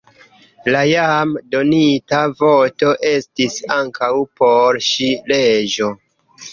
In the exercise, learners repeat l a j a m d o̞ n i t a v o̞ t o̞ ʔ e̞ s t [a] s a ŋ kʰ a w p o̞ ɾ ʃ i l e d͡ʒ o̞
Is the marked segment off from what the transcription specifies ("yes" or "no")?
yes